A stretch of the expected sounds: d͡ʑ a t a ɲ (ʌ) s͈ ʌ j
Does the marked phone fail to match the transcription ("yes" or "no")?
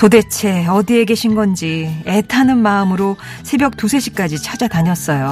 no